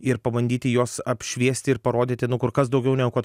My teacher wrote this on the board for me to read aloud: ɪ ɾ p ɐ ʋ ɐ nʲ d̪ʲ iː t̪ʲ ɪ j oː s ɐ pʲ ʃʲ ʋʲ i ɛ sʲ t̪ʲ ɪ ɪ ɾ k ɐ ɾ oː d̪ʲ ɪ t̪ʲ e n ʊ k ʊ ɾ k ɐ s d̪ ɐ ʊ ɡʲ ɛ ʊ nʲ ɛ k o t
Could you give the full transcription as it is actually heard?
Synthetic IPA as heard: ɪ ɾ p ɐ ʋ ɐ nʲ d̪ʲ iː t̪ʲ ɪ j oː s ɐ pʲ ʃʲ ʋʲ i ɛ sʲ t̪ʲ ɪ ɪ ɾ p ɐ ɾ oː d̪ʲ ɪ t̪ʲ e n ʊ k ʊ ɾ k ɐ s d̪ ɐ ʊ ɡʲ ɛ ʊ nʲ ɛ k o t